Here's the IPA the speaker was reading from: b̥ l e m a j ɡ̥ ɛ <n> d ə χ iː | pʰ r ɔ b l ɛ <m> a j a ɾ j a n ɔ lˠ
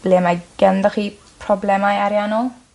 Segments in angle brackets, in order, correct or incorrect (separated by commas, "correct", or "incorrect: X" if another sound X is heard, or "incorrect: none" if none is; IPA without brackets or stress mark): correct, correct